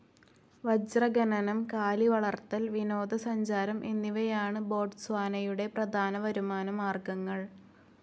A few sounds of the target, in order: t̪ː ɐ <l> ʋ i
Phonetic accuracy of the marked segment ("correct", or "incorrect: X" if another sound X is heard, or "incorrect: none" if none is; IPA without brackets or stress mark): correct